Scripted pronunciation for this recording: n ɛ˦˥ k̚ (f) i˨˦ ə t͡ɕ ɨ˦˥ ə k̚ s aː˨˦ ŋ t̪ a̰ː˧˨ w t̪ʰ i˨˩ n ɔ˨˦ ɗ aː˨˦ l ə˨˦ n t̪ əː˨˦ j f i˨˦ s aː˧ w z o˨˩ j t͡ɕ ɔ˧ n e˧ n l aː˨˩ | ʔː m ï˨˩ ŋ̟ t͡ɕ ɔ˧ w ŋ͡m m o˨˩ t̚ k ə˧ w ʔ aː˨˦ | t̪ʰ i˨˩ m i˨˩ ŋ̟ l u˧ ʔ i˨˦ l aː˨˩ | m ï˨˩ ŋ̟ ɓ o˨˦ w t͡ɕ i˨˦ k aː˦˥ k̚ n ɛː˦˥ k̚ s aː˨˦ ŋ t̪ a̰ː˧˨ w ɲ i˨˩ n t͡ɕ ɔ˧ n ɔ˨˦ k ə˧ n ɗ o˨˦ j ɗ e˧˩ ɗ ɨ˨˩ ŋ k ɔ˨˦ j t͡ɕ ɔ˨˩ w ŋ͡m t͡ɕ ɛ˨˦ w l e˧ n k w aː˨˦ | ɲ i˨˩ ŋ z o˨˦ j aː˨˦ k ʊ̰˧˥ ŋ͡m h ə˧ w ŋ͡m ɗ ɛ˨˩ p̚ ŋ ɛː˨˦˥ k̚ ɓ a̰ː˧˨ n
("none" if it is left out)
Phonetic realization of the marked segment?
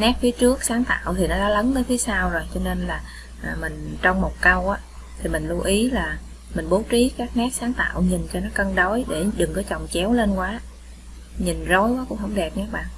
f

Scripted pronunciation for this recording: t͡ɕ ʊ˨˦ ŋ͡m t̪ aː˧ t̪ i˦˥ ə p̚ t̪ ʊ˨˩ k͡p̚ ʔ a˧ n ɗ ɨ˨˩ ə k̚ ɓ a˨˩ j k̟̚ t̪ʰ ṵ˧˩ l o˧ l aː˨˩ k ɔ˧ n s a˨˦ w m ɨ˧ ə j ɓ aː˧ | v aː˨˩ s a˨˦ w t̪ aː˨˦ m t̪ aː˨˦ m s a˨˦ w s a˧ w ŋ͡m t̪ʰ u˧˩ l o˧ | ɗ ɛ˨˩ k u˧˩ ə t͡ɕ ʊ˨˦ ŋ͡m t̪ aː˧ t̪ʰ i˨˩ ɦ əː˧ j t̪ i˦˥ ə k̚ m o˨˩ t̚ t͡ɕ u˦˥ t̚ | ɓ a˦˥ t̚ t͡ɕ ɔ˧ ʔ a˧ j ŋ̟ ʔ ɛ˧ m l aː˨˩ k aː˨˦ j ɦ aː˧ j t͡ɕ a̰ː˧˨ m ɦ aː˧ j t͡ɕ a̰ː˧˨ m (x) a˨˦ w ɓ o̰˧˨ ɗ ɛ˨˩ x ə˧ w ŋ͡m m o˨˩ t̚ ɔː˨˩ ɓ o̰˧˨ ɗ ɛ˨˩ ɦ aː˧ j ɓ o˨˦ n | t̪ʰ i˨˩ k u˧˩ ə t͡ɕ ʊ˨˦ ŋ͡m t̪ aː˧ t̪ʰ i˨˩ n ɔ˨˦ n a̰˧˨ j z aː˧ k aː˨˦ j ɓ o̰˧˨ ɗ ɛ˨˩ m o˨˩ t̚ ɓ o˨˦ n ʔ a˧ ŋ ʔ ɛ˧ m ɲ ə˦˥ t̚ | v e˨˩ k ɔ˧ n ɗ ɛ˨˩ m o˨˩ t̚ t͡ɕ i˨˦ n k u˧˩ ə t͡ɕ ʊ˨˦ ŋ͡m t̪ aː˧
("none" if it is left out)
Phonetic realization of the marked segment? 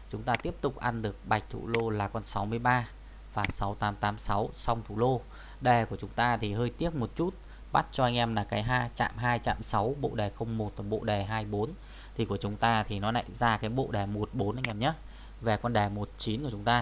s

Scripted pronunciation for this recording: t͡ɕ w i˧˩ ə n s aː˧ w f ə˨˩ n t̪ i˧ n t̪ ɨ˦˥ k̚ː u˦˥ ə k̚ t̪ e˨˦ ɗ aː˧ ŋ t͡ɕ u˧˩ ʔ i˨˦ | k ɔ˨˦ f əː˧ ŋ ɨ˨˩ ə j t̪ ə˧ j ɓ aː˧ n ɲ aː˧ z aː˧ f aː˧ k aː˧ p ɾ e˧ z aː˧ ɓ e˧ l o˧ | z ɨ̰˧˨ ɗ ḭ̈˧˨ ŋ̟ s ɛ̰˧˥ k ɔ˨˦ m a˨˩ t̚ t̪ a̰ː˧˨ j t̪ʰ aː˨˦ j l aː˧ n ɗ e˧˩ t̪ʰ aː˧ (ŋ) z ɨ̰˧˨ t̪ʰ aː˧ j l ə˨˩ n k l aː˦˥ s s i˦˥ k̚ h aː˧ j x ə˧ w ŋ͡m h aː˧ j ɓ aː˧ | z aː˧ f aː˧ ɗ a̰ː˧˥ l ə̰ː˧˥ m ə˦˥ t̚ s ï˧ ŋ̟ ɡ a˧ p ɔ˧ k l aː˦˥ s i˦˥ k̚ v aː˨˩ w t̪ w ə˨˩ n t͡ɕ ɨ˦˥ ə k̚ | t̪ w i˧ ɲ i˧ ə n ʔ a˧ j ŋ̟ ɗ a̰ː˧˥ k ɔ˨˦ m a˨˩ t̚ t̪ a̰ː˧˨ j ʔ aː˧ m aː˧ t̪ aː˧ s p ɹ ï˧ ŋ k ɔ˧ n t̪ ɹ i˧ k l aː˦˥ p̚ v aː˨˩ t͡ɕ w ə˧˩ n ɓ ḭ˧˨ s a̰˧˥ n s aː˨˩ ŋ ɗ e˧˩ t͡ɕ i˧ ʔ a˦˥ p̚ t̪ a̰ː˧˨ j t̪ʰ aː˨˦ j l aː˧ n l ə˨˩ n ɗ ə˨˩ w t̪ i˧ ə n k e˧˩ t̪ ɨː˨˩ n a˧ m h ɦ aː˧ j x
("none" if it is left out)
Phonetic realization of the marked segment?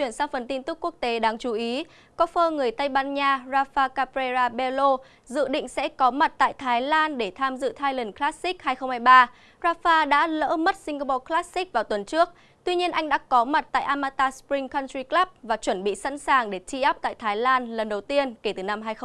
m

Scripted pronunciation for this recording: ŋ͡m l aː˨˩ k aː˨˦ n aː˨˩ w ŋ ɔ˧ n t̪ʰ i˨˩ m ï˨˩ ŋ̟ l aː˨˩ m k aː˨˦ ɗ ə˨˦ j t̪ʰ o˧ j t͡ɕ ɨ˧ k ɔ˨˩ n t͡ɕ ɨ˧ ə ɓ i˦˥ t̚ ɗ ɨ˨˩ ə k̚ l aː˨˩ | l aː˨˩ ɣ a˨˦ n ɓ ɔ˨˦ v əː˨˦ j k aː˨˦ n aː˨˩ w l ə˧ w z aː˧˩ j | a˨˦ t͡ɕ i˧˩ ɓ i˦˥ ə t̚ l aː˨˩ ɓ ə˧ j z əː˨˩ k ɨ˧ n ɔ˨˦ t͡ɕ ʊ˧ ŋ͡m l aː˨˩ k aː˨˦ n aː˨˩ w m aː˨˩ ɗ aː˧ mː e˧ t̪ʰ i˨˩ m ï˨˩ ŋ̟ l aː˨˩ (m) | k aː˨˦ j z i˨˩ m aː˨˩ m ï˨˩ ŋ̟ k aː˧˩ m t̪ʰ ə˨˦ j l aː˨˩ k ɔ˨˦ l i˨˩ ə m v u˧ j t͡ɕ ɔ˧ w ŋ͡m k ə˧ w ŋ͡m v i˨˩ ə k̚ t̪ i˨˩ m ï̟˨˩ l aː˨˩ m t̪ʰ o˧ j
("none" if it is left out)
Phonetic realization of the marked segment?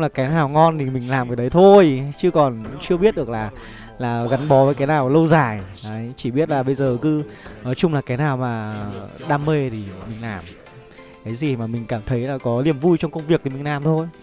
m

